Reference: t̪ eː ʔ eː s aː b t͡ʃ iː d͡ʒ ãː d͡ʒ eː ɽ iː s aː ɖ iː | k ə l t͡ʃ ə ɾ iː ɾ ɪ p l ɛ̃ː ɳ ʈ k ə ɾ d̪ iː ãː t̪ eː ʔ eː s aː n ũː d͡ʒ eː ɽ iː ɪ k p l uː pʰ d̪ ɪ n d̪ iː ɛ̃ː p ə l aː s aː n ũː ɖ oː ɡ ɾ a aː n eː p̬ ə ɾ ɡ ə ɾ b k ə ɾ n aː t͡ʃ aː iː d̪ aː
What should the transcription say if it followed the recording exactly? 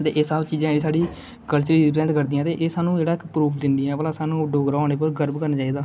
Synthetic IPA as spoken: t̪ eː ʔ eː s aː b t͡ʃ iː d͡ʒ ãː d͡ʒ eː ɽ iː s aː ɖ iː | k ə l t͡ʃ ə ɾ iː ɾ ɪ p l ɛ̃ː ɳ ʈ k ə ɾ d̪ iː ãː t̪ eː ʔ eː s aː n ũː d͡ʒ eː ɽ aː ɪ k p ɾ uː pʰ d̪ ɪ n d̪ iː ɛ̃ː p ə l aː s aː n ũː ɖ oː ɡ ɾ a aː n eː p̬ ə ɾ ɡ ə ɾ b k ə ɾ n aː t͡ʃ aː iː d̪ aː